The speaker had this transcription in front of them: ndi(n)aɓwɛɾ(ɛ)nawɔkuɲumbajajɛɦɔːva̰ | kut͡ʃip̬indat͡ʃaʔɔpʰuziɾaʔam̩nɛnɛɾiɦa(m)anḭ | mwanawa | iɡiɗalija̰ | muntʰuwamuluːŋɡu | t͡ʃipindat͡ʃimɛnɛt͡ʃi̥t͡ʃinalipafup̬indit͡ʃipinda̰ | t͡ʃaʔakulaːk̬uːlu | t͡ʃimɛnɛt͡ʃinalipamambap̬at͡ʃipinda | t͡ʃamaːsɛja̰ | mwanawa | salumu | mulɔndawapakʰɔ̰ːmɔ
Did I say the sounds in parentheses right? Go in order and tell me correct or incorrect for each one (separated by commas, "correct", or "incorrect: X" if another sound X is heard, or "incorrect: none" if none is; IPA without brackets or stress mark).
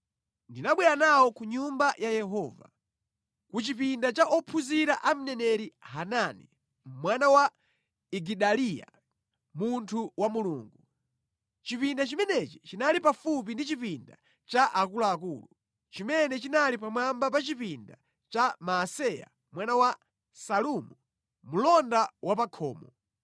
correct, incorrect: a, incorrect: n